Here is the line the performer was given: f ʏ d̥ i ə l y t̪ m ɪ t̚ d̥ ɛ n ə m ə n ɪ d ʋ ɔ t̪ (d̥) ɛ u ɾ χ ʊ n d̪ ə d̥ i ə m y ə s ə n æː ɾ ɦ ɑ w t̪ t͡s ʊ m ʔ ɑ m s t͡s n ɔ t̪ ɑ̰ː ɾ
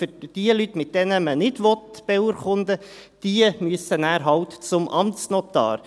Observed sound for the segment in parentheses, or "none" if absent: b̥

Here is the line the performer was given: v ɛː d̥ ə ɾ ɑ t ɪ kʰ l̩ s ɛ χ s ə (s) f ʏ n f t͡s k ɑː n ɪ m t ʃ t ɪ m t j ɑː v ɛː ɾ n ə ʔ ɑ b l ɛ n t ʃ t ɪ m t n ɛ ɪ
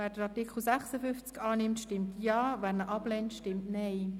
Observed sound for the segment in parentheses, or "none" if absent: none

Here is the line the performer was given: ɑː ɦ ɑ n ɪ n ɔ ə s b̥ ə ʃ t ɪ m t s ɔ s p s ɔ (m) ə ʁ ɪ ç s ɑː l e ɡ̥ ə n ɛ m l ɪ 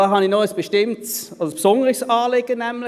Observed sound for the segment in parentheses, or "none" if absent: n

